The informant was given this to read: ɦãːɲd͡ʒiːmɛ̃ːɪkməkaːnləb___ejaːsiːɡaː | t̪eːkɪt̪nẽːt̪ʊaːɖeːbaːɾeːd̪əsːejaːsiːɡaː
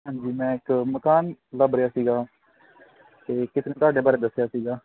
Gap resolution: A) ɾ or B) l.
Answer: A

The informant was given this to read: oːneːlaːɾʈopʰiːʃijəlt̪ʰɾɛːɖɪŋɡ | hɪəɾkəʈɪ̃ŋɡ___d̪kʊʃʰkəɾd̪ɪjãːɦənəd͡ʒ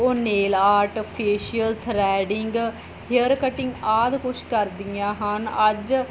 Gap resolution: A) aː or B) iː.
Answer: A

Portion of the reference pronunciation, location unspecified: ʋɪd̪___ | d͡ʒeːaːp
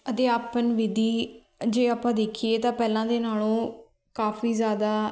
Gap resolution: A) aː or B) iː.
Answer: B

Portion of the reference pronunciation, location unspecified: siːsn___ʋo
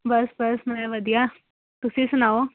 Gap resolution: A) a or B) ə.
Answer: A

